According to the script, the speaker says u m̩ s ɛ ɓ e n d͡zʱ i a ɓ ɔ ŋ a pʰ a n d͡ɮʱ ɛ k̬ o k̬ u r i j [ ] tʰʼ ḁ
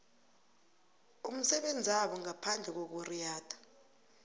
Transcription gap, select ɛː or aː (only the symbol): aː